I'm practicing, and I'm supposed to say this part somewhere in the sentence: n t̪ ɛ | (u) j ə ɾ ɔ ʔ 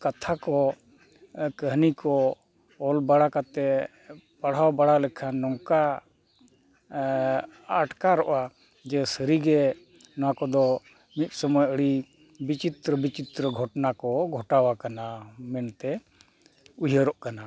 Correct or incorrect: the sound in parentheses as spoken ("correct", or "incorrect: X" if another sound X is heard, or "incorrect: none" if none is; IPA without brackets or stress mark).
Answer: correct